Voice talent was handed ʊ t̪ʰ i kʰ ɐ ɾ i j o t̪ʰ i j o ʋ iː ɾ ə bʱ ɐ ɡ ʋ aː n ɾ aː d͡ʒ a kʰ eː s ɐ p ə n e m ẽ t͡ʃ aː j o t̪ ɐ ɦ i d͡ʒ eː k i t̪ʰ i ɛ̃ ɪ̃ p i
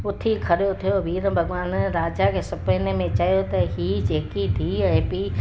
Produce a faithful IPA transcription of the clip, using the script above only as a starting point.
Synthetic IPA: ʊ t̪ʰ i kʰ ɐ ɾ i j o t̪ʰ i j o ʋ iː ɾ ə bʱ ɐ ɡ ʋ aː n ɾ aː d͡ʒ a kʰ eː s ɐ p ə n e m ẽ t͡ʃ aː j o t̪ ɐ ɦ i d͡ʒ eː k i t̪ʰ i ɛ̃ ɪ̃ p i